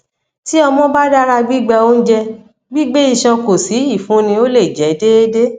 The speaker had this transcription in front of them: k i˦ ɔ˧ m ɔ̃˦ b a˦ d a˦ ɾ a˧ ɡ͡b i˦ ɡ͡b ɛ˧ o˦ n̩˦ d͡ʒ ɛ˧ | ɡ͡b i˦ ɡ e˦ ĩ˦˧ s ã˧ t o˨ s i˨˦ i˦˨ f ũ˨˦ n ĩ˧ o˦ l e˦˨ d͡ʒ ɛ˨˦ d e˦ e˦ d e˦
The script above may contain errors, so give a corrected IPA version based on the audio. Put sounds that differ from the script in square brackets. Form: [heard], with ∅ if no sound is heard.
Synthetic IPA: [t] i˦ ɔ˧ m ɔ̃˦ b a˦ d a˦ ɾ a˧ ɡ͡b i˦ ɡ͡b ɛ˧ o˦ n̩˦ d͡ʒ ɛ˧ | ɡ͡b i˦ [ɡ͡b] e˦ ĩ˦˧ [ʃ] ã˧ [k] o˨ s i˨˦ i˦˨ f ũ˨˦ n ĩ˧ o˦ l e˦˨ d͡ʒ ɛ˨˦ d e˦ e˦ d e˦